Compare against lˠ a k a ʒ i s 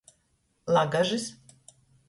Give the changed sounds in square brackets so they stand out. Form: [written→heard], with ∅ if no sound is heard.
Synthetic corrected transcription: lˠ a [k→ɡ] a ʒ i s